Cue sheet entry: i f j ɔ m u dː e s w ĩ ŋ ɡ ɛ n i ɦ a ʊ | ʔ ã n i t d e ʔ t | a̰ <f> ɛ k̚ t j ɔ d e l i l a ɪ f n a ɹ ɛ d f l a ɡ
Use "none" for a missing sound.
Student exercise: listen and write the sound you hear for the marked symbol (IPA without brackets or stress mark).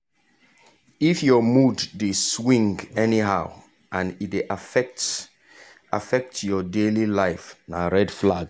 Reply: f